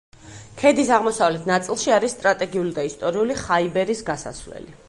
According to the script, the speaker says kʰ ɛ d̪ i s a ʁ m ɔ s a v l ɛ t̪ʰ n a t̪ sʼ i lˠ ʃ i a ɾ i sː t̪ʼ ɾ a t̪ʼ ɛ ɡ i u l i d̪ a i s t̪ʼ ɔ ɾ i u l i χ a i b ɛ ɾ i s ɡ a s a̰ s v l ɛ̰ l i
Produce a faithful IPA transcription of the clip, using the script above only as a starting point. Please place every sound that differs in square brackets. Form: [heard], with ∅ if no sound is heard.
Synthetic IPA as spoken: kʰ ɛ d̪ i s a ʁ m ɔ s a v l ɛ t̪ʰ n a t̪ sʼ i lˠ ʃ i a ɾ i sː t̪ʼ ɾ a t̪ʼ ɛ ɡ i u l i d̪ a i s t̪ʼ ɔ ɾ i u l i χ a i b ɛ ɾ i s ɡ a s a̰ s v l ɛ̰ l i

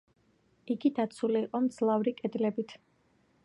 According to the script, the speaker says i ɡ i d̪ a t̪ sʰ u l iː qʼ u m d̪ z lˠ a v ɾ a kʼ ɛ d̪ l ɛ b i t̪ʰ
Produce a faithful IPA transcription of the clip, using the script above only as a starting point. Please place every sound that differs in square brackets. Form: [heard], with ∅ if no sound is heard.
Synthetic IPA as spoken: i ɡ i d̪ a t̪ sʰ u l iː qʼ [ɔ] m d̪ z lˠ a v ɾ [i] kʼ ɛ d̪ l ɛ b i t̪ʰ

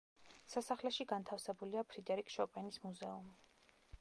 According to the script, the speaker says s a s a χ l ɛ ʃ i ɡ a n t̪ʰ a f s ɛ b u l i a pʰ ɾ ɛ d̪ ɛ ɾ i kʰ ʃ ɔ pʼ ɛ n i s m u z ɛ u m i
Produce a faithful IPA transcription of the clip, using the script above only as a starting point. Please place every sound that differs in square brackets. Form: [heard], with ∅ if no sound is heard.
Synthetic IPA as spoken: s a s a χ l ɛ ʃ i ɡ a n t̪ʰ a f s ɛ b u l i a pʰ ɾ [i] d̪ ɛ ɾ i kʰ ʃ ɔ pʼ ɛ n i s m u z ɛ u m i

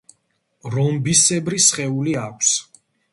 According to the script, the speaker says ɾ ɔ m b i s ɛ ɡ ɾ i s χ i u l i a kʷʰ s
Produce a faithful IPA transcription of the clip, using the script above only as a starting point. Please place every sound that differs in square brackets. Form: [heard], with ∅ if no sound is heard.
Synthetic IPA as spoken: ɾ ɔ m b i s ɛ [b] ɾ i s χ [ɛ] u l i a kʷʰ s

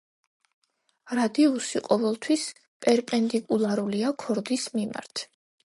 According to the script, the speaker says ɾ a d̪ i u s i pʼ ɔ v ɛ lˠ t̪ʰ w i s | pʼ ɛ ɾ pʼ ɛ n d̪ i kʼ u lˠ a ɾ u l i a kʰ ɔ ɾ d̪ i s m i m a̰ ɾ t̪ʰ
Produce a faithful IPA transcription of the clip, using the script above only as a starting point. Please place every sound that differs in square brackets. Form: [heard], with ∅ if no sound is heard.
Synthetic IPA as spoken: ɾ a d̪ i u s i [qʼ] ɔ v ɛ lˠ t̪ʰ w i s | pʼ ɛ ɾ pʼ ɛ n d̪ i kʼ u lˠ a ɾ u l i a kʰ ɔ ɾ d̪ i s m i m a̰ ɾ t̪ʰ

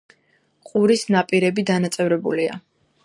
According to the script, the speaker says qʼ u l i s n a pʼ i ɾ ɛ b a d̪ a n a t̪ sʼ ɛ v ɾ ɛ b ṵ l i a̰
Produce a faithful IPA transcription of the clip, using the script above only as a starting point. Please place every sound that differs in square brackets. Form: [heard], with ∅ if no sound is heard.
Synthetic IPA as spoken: qʼ u [ɾ] i s n a pʼ i ɾ ɛ b [i] d̪ a n a t̪ sʼ ɛ v ɾ ɛ b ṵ l i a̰

